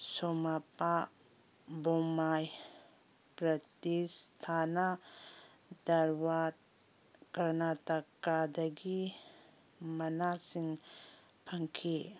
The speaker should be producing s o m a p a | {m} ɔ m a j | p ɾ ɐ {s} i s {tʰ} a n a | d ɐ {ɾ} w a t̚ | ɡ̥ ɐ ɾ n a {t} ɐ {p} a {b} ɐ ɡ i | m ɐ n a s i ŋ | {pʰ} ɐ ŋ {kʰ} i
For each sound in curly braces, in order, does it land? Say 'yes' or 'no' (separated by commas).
no, no, yes, yes, yes, no, no, yes, yes